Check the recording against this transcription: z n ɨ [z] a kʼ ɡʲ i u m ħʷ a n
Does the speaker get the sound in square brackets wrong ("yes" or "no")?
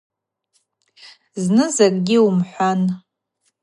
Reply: no